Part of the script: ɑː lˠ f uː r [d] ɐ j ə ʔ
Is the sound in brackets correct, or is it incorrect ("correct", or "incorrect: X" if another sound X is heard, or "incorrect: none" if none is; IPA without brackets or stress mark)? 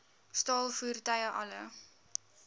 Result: incorrect: t